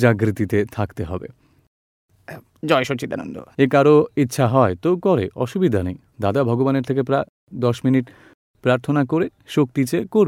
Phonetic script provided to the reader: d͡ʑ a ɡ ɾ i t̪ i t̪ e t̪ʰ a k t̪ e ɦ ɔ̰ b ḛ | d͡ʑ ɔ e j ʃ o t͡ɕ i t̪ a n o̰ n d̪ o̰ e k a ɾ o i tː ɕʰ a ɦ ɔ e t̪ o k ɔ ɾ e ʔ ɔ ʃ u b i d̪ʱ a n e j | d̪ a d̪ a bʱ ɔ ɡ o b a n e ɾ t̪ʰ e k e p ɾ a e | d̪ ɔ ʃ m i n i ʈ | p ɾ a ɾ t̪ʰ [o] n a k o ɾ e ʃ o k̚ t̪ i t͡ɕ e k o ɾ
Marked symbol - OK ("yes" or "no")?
yes